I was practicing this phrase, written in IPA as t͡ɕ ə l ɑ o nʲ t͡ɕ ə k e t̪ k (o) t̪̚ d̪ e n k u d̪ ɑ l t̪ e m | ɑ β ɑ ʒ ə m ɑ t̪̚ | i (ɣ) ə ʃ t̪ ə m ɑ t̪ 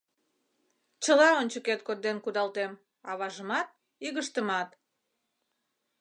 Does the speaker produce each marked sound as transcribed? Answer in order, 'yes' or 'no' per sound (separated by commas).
yes, yes